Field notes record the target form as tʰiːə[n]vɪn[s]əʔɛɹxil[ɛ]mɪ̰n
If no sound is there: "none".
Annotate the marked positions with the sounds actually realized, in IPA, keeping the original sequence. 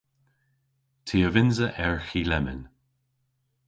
none, z, ɛ

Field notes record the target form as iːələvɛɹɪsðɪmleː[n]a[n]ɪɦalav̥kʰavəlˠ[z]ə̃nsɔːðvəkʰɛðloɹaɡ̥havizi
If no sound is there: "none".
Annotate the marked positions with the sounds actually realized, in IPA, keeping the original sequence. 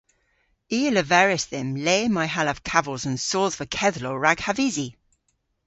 m, none, z

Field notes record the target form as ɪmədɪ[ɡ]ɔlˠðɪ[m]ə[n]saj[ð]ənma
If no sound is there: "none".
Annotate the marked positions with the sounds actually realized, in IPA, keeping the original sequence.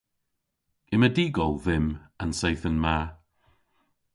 ɡ, m, n, θ

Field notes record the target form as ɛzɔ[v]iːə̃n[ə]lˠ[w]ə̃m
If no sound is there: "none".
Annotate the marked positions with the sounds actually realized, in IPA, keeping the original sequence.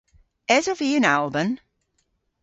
v, a, b

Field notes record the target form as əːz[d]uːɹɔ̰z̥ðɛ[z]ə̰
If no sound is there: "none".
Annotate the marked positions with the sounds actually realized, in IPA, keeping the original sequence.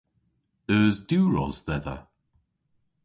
d, ð

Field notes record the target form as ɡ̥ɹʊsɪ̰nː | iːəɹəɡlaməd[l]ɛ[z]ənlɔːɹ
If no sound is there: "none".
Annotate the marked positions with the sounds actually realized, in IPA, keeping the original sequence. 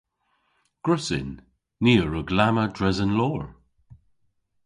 ɹ, z

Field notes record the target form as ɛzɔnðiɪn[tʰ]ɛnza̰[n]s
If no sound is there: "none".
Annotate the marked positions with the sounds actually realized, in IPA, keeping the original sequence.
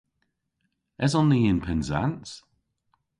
pʰ, n

